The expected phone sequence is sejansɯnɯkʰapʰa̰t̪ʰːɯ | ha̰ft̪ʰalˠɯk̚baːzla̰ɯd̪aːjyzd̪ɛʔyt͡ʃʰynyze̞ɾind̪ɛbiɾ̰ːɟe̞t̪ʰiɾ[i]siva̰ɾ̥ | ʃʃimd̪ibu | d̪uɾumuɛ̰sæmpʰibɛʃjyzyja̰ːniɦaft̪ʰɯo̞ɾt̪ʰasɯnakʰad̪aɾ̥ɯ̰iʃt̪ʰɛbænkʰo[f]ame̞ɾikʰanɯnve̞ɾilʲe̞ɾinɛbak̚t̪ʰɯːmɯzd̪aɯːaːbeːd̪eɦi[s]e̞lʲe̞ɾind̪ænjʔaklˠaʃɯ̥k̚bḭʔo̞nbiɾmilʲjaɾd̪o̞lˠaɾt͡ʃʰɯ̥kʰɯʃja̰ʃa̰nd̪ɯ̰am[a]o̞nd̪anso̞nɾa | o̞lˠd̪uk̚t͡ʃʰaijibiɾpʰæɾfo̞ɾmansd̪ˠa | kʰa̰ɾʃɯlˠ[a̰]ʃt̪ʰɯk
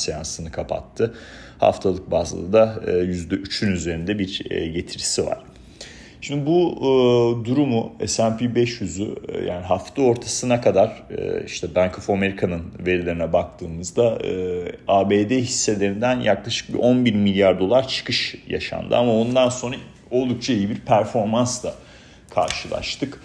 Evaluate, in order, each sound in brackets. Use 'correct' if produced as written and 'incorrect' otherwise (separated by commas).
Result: correct, correct, incorrect, correct, correct